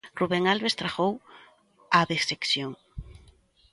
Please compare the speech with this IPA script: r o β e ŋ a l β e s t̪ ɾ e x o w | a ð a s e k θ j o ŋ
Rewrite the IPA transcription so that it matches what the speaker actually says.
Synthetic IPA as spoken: r u β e ŋ a l β e s t̪ ɾ a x o w | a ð e s e k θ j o ŋ